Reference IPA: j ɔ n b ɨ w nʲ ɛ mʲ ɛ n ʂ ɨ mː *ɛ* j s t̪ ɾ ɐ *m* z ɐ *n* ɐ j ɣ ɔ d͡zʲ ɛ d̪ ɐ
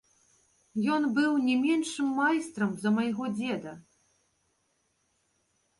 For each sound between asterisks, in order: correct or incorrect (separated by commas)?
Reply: incorrect, correct, incorrect